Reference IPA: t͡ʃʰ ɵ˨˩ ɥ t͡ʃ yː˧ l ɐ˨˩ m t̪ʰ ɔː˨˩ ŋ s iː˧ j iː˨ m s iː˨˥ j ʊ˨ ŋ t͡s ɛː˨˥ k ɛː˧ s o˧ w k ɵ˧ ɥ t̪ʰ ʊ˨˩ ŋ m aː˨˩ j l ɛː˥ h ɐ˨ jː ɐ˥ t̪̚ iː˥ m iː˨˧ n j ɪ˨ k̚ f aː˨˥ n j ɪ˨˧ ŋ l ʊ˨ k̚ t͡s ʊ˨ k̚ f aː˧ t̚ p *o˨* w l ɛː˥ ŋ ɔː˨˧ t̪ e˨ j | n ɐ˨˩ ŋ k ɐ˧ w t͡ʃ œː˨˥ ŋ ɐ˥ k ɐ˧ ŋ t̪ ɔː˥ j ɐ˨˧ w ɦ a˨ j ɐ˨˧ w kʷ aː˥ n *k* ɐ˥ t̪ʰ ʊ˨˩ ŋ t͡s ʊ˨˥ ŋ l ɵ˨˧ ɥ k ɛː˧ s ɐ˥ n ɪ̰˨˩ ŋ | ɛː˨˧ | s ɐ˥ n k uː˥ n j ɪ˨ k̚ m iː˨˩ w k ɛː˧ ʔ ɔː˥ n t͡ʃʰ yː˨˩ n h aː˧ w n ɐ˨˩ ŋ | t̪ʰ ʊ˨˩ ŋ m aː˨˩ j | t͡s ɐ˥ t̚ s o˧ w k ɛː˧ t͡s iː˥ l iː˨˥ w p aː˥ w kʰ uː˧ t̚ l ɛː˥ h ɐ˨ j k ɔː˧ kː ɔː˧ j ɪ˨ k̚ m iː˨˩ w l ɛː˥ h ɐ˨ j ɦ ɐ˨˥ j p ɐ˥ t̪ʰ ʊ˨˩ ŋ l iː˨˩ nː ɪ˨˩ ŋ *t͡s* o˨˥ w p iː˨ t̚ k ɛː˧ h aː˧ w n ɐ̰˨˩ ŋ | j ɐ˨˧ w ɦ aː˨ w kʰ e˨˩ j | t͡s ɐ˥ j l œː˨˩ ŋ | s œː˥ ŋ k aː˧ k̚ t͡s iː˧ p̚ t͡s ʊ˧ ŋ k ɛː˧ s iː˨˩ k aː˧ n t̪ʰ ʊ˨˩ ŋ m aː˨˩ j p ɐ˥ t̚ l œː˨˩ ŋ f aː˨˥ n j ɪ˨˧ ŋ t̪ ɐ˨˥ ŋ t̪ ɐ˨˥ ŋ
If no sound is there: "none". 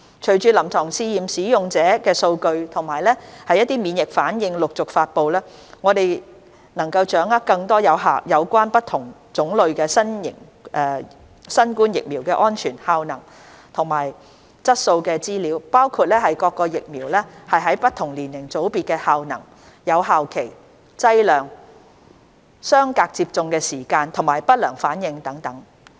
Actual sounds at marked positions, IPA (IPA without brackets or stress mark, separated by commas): o˨, p, t͡s